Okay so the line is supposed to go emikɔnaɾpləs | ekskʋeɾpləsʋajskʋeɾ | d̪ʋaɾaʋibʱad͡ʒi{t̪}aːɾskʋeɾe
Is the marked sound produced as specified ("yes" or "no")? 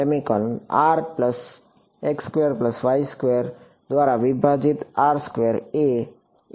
yes